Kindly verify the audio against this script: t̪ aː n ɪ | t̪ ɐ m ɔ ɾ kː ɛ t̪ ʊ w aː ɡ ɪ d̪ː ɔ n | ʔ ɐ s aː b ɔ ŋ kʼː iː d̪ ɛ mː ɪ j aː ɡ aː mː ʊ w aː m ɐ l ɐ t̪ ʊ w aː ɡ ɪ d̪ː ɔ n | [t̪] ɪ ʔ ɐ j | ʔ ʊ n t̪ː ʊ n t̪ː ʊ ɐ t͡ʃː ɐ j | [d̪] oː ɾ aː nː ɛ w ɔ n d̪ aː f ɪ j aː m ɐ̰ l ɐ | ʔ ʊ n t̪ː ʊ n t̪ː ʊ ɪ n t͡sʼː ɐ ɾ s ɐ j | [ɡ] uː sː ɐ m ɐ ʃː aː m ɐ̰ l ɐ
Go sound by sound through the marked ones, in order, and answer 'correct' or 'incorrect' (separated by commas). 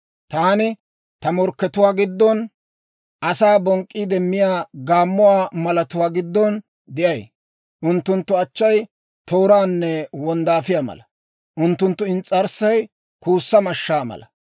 incorrect, incorrect, incorrect